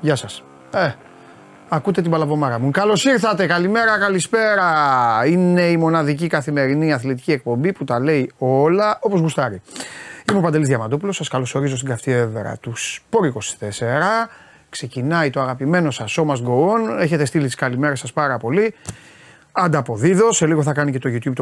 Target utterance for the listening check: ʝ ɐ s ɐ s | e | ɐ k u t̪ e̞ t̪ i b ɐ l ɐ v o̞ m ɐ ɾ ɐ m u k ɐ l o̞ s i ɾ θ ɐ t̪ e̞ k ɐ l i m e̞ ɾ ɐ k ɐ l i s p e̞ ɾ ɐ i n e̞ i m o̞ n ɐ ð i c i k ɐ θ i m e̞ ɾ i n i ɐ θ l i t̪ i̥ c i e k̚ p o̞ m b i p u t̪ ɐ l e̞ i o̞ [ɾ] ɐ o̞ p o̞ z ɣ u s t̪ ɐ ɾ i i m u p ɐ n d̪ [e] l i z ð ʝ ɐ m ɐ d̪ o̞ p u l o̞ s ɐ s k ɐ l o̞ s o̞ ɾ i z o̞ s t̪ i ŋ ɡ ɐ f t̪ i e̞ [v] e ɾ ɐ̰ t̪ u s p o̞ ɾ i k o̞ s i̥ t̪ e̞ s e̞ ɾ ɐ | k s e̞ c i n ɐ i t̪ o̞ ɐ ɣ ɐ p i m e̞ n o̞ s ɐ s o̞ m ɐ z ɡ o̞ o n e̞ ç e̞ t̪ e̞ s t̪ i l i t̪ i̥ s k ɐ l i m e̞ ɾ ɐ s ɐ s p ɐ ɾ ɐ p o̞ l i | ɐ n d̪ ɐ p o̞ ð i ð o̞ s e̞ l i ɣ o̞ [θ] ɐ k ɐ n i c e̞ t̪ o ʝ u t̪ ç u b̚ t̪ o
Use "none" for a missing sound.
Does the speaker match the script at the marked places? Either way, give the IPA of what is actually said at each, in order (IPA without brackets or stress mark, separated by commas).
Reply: l, e, v, θ